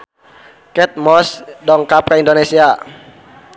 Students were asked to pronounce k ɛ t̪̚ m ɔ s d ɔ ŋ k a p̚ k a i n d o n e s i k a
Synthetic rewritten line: k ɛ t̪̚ m ɔ s d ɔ ŋ k a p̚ k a i n d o n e s i a